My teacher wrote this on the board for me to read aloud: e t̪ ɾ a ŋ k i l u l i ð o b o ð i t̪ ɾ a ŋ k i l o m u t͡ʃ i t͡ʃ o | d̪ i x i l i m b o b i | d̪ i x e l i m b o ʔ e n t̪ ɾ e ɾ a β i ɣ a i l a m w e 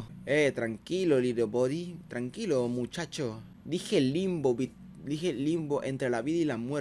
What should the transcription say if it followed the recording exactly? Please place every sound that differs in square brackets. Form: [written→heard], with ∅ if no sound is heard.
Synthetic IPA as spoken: e t̪ ɾ a ŋ k i l [u→o] l i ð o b o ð i t̪ ɾ a ŋ k i l o m u t͡ʃ [i→a] t͡ʃ o | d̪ i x [i→e] l i m b o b i | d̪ i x e l i m b o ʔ e n t̪ ɾ e [ɾ→l] a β i [ɣ→ð] a i l a m w e